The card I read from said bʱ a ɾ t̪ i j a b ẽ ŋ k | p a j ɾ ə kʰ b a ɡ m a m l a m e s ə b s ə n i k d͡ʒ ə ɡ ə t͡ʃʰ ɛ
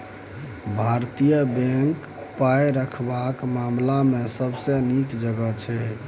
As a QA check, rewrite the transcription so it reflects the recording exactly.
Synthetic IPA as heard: bʱ a ɾ t̪ i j ə b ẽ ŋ k | p a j ɾ ə kʰ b a k m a m l a m e s ə b s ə n i k d͡ʒ ə ɡ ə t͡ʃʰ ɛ